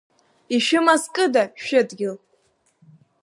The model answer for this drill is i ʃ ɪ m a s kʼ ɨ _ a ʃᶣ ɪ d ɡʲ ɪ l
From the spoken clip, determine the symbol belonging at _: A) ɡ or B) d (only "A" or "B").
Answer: B